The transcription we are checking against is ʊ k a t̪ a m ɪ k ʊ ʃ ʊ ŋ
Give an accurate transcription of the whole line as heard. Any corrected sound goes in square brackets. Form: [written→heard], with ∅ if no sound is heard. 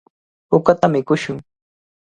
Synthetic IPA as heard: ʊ k a t̪ a m ɪ k ʊ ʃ ʊ ŋ